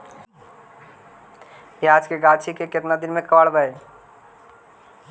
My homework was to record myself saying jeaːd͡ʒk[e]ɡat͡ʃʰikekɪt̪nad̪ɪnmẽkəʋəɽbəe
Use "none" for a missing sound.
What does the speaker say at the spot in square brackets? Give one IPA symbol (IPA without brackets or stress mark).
e